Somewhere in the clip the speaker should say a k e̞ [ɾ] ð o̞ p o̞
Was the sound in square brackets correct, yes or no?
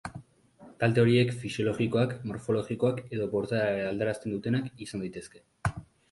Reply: no